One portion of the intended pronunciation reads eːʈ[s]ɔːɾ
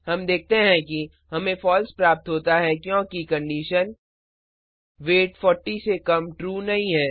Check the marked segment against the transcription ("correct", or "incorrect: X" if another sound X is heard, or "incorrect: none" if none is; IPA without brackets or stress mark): incorrect: f